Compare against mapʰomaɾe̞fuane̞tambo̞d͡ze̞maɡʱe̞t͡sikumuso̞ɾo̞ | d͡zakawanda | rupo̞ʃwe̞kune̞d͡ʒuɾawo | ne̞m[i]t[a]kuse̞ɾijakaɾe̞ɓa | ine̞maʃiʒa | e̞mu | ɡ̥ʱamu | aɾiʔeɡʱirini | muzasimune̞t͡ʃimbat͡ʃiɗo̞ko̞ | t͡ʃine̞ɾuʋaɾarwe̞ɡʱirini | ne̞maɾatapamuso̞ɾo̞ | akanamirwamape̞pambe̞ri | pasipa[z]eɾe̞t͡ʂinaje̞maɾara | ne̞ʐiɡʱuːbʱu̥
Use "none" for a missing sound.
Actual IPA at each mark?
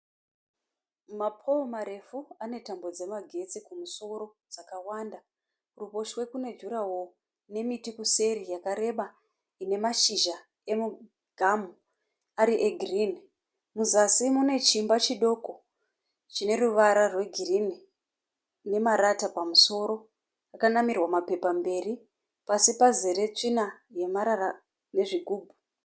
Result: i, i, z

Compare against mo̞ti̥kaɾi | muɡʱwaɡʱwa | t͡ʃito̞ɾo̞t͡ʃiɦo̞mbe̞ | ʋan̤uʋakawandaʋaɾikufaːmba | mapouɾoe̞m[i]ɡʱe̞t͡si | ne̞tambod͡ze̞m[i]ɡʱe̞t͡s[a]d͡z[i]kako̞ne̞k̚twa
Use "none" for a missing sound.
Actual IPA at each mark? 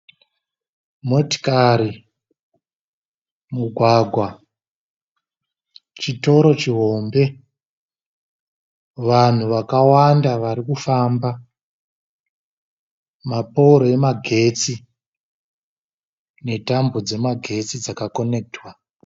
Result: a, a, i, a

